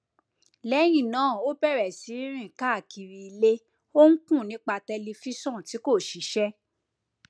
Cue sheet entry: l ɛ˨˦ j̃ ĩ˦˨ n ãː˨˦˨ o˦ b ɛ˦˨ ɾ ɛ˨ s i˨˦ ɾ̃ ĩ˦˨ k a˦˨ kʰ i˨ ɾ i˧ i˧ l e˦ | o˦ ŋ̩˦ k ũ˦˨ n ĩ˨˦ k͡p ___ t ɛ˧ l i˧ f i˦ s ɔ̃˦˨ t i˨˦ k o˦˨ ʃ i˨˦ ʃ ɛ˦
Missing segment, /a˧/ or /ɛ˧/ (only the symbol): a˧